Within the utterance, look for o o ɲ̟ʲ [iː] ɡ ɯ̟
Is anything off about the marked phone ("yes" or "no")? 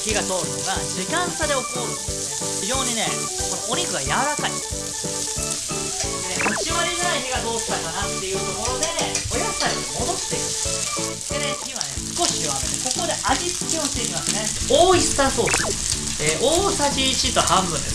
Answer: yes